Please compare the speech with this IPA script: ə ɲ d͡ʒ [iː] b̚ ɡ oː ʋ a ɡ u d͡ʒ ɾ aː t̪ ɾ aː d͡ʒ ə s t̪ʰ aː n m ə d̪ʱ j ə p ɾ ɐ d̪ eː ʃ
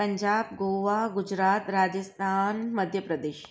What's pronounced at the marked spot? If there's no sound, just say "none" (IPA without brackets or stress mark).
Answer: aː